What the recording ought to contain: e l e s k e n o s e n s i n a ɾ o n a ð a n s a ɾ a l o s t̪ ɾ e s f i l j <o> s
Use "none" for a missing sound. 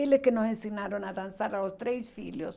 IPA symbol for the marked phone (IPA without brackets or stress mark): o